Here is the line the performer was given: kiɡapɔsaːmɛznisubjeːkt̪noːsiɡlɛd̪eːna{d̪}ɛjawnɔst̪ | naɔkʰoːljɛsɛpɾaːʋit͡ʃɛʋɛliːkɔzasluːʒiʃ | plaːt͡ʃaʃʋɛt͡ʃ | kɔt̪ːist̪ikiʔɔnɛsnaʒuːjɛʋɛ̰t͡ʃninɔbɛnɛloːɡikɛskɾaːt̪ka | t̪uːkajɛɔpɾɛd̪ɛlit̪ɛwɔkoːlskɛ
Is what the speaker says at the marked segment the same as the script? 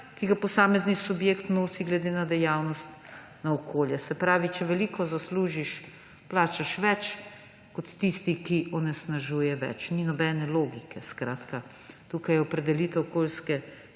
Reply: yes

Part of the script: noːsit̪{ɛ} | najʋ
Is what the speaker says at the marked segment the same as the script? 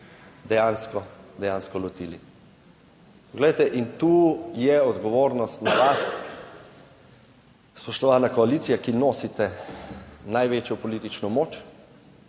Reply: yes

